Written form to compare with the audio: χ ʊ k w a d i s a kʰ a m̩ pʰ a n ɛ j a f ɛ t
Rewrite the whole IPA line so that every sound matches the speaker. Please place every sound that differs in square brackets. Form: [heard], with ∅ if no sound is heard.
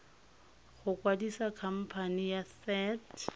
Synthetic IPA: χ ʊ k w a d i s a kʰ a m̩ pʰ a n [i] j a [s] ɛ t